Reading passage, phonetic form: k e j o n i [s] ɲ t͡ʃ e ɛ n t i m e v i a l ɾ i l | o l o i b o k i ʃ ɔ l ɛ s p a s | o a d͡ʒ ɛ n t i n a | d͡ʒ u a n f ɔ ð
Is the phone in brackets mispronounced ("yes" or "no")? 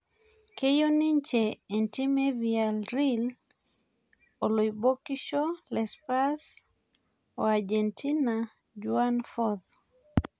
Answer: yes